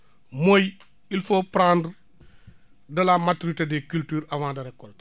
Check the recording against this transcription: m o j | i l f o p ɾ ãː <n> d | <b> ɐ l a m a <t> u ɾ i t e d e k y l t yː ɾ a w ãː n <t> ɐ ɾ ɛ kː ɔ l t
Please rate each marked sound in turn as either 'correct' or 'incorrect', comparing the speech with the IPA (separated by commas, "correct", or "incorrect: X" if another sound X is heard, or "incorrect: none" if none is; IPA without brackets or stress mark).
correct, incorrect: d, correct, incorrect: d